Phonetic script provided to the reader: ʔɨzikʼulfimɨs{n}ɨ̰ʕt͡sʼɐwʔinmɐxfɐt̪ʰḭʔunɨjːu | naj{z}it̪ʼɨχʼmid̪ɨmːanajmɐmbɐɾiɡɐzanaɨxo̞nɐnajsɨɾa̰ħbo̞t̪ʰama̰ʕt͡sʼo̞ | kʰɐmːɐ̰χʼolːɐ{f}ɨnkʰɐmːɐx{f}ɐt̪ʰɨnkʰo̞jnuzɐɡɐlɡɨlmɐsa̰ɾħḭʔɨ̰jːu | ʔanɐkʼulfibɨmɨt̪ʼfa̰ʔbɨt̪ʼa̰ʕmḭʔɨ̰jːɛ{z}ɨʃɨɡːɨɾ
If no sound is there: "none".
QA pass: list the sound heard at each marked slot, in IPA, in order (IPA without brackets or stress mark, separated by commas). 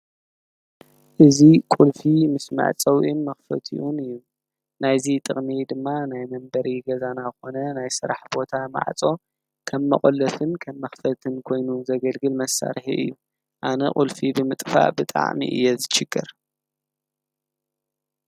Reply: m, z, f, f, z